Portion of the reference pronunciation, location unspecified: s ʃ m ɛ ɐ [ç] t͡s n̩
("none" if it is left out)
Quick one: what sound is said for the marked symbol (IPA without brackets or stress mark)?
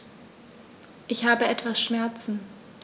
none